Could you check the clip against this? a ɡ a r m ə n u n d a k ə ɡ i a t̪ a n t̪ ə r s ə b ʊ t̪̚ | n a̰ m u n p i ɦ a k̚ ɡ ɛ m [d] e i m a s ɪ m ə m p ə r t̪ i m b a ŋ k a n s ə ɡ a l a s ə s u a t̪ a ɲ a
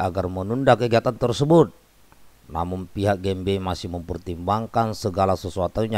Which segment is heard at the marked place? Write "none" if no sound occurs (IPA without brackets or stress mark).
b